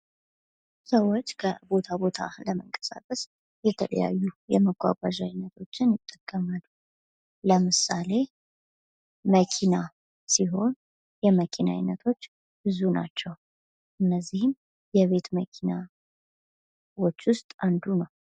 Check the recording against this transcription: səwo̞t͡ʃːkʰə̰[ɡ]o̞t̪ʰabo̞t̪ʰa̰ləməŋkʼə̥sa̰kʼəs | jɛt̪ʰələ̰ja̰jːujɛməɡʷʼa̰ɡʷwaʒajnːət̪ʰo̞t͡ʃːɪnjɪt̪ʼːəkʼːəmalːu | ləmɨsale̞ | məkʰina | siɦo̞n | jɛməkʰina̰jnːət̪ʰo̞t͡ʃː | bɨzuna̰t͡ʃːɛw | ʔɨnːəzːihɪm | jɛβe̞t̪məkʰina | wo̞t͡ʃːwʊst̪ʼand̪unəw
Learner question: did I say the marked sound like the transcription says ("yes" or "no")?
no